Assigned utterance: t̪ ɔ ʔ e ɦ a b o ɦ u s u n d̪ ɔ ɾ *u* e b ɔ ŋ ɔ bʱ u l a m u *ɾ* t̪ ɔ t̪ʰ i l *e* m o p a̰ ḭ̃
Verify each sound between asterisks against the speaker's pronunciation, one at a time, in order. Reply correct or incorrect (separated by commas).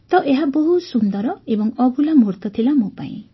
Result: incorrect, correct, incorrect